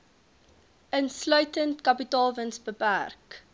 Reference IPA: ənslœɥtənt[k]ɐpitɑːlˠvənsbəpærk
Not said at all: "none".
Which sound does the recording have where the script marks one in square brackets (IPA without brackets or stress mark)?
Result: k